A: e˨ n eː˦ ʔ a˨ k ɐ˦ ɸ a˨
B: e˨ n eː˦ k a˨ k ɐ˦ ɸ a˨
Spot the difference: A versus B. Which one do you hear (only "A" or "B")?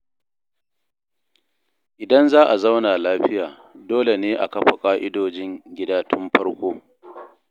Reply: A